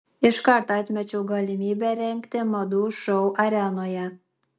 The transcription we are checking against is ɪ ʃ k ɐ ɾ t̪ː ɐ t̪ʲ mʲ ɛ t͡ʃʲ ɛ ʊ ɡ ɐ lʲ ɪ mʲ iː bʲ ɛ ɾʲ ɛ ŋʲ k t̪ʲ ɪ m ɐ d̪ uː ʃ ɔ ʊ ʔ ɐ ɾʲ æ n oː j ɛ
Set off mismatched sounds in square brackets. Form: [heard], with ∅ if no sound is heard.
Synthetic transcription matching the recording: ɪ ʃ k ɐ ɾ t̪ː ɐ t̪ʲ mʲ ɛ t͡ʃʲ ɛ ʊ ɡ ɐ lʲ ɪ mʲ iː bʲ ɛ ɾʲ ɛ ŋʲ k t̪ʲ ɪ m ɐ d̪ uː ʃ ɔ ʊ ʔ ɐ ɾʲ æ n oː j ɛ